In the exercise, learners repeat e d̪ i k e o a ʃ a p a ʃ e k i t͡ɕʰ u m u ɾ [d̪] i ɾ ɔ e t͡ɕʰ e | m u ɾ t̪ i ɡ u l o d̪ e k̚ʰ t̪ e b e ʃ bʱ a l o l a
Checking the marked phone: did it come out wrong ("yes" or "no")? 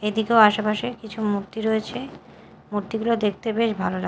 yes